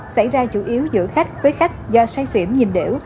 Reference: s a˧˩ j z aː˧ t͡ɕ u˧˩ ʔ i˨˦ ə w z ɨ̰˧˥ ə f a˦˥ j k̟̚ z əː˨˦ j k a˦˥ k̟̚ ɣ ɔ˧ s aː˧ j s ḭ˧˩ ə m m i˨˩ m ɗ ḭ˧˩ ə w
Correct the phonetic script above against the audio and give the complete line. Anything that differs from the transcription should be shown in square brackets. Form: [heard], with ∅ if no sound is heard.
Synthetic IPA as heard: s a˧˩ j z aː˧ t͡ɕ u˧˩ ʔ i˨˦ ə w z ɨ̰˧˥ ə [x] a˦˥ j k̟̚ [v] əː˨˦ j [x] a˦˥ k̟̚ [z] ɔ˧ s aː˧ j s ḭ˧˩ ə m [ɲ] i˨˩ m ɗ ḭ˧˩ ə w